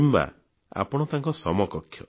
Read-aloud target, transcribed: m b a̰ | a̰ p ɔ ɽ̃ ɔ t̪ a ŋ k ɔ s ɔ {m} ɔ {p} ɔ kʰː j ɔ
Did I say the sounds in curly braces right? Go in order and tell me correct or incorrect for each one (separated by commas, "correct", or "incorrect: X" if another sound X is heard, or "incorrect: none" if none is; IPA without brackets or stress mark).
correct, incorrect: k